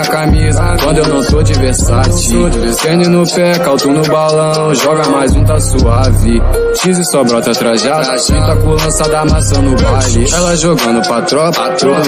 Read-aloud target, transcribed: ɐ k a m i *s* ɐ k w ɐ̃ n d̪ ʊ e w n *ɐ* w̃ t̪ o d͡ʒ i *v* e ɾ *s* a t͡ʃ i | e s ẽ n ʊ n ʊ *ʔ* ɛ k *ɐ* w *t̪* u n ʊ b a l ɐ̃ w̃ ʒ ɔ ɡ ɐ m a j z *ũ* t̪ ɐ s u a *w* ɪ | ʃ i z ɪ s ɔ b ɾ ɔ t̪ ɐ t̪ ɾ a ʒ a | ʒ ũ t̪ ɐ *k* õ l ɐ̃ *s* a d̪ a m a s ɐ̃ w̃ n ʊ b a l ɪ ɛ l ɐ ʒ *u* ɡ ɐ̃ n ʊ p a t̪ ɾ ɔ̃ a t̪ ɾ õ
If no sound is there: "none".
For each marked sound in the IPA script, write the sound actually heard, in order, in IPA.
z, ɐ̃, v, s, p, a, t̪, ũ, v, k, s, o

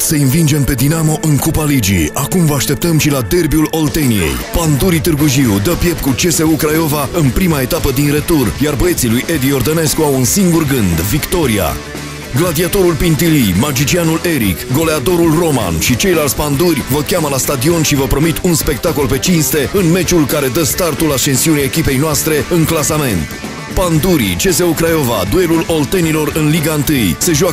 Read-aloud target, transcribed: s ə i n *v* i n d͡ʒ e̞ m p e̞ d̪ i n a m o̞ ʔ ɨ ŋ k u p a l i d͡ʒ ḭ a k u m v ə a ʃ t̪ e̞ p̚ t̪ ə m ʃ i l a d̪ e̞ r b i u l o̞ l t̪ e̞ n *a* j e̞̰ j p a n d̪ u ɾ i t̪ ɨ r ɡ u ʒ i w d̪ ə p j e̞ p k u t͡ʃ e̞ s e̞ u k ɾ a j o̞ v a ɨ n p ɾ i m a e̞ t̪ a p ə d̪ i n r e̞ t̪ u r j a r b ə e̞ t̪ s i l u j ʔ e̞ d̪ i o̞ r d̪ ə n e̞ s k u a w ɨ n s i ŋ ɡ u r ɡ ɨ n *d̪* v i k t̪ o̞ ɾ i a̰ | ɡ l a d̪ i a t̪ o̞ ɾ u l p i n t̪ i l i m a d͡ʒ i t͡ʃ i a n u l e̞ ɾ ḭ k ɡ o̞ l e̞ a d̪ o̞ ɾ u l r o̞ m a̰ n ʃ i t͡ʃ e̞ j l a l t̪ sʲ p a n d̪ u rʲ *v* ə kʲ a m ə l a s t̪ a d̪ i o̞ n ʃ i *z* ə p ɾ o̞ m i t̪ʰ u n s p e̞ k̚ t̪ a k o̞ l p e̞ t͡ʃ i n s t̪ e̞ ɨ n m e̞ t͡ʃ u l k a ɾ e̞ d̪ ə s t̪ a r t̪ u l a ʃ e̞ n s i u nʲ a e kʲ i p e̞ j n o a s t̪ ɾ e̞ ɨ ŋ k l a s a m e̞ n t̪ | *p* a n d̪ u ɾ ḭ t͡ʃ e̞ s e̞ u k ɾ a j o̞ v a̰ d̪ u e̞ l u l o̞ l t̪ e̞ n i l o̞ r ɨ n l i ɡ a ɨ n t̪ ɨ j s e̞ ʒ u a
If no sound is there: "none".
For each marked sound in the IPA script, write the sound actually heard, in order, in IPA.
v, i, d̪, v, v, p

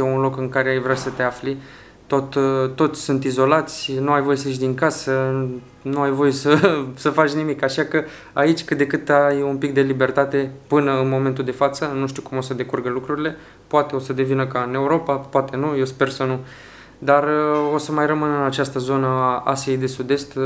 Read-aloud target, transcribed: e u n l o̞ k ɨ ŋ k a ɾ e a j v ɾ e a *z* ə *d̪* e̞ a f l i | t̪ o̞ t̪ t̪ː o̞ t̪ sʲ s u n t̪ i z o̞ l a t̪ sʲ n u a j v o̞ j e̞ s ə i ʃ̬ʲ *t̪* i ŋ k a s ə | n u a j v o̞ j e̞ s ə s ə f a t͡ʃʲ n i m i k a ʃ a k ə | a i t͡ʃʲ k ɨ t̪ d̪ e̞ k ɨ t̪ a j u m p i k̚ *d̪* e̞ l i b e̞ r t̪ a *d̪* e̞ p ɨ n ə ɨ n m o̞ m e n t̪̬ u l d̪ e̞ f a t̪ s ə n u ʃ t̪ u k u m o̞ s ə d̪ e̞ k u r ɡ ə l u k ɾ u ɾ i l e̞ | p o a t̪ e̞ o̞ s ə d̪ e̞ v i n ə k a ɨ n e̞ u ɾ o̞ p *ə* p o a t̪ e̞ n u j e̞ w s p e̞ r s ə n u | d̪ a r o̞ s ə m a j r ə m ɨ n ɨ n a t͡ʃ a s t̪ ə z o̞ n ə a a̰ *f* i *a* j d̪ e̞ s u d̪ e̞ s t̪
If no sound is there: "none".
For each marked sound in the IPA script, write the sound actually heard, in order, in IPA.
s, t̪, d̪, d̪, t̪, a, s, e

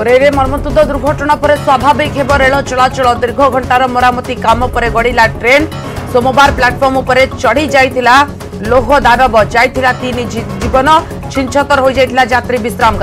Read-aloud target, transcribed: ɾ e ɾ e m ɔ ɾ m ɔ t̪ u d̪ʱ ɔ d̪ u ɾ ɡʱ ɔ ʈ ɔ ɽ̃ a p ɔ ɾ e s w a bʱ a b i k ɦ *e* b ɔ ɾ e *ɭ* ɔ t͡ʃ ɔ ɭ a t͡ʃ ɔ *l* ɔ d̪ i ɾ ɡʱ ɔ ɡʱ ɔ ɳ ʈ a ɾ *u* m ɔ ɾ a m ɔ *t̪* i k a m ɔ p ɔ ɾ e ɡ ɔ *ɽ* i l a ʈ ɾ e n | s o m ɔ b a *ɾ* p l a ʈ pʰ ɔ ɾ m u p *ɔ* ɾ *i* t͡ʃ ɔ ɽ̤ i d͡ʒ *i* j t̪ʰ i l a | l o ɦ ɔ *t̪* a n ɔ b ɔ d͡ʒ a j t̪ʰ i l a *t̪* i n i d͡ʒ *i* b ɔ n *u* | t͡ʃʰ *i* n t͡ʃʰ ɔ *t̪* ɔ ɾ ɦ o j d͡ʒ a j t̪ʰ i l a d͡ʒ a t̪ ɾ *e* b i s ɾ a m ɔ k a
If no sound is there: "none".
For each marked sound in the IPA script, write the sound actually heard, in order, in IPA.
e, ɭ, ɭ, ɔ, t̪, ɽ, ɾ, ɔ, e, a, d̪, t̪, i, ɔ, i, t̪, i

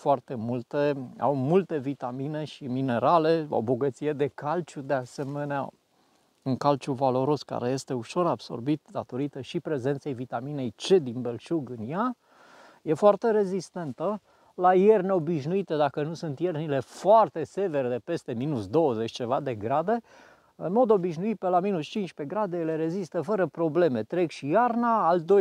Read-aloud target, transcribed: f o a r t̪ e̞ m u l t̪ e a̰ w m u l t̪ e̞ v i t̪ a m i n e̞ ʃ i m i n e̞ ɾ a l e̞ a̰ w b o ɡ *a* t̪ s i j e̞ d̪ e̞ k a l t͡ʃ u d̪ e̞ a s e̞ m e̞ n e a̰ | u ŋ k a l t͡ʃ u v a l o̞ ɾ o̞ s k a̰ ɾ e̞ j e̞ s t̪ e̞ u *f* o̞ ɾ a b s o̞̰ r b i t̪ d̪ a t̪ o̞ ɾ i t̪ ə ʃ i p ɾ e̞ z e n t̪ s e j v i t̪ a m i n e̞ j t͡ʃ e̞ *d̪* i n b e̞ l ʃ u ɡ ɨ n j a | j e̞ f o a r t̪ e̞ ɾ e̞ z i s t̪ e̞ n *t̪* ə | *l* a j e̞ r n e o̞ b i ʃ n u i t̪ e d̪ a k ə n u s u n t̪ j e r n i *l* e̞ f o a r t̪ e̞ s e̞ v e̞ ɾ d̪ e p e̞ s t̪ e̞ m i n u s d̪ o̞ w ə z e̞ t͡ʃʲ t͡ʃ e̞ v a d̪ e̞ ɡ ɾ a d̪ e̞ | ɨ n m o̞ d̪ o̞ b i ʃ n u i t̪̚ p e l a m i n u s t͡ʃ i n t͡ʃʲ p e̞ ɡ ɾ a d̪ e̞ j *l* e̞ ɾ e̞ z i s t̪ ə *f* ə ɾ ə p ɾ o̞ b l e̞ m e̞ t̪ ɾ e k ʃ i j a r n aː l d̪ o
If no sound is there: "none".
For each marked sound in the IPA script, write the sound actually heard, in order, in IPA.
ə, ʃ, d̪, t̪, l, l, l, f

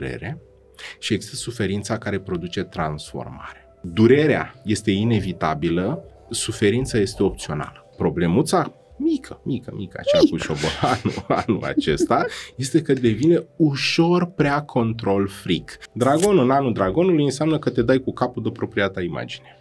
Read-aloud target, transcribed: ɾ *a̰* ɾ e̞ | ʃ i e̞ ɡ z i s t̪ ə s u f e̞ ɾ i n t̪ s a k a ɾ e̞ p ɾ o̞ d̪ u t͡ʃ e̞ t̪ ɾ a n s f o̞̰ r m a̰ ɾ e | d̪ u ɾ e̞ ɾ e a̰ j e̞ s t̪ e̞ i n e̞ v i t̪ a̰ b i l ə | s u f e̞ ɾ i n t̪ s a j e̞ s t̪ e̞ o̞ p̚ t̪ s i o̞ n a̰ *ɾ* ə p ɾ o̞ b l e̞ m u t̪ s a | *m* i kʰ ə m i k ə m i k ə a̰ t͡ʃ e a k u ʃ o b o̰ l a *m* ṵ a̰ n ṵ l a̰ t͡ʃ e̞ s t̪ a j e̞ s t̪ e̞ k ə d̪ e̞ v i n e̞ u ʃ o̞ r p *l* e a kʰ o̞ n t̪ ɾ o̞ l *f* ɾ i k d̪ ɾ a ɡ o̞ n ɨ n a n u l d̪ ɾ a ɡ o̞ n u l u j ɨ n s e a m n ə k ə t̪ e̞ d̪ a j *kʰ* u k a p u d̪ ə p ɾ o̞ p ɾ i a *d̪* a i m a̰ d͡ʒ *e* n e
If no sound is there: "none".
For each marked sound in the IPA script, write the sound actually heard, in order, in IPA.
ḛ, l, m, n, ɾ, f, k, t̪, i

